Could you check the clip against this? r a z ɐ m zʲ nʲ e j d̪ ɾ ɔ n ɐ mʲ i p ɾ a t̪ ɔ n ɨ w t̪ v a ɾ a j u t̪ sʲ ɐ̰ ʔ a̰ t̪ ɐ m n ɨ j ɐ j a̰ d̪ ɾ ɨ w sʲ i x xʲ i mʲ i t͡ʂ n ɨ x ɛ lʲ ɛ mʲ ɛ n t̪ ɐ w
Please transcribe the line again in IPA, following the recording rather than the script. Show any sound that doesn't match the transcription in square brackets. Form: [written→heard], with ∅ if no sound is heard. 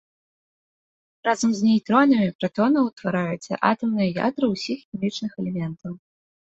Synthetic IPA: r a z ɐ m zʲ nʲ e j [d̪→t̪] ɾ ɔ n ɐ mʲ i p ɾ a t̪ ɔ n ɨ w t̪ v a ɾ a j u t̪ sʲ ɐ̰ ʔ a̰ t̪ ɐ m n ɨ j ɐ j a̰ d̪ ɾ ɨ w sʲ i x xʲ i mʲ i t͡ʂ n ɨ x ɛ lʲ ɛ mʲ ɛ n t̪ ɐ w

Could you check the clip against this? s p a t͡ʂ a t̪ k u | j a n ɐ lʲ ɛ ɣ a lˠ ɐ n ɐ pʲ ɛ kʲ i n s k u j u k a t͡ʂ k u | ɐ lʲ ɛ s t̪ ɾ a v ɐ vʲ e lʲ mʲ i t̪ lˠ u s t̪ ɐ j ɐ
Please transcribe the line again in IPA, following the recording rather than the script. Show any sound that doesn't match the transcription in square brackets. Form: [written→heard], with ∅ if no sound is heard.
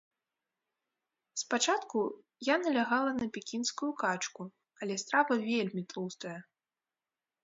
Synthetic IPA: s p a t͡ʂ a t̪ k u | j a n ɐ lʲ [ɛ→a] ɣ a lˠ ɐ n ɐ pʲ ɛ kʲ i n s k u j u k a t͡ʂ k u | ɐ lʲ ɛ s t̪ ɾ a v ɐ vʲ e lʲ mʲ i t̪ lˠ u s t̪ ɐ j ɐ

